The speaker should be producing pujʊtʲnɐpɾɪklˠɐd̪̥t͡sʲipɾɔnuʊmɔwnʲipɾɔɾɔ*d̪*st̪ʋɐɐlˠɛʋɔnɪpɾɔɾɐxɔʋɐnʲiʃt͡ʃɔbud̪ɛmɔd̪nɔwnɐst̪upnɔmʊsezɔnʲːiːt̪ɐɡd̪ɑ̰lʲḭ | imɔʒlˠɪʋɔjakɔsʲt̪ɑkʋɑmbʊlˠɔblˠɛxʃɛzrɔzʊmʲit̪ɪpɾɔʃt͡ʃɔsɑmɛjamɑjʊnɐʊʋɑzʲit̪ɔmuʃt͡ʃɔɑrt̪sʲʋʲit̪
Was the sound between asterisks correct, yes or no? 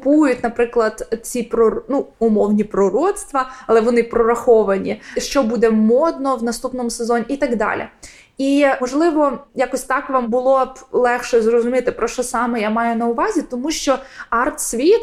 no